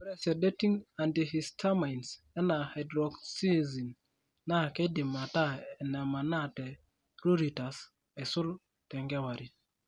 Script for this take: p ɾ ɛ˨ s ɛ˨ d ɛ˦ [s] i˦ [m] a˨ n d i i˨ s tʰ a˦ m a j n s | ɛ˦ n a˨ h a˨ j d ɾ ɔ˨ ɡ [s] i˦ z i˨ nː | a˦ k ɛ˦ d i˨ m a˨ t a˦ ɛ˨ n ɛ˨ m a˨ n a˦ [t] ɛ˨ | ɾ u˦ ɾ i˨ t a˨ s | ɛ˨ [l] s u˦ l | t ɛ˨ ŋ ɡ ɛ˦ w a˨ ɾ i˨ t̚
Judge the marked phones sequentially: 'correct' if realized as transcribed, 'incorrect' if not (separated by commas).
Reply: incorrect, incorrect, correct, correct, incorrect